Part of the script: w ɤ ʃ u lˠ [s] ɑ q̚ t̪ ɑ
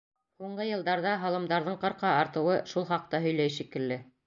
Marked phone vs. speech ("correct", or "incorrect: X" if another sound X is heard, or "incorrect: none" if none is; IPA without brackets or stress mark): incorrect: χ